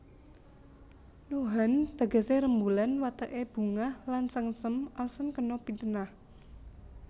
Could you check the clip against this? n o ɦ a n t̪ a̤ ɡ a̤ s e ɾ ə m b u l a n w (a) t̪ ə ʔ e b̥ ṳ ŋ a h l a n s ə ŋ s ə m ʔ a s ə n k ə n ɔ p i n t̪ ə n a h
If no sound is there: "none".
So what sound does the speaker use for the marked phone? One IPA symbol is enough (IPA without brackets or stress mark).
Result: a